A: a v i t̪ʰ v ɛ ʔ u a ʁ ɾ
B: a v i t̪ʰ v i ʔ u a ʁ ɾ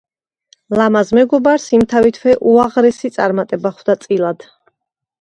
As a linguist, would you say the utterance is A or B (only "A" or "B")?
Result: A